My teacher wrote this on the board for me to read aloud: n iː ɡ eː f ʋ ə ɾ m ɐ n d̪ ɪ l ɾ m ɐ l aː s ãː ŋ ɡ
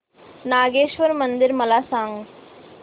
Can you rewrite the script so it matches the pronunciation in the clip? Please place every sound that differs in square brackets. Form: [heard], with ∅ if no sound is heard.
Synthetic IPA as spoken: n [aː] ɡ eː [ʃ] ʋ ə ɾ m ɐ n d̪ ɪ [∅] ɾ m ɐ l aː s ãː ŋ ɡ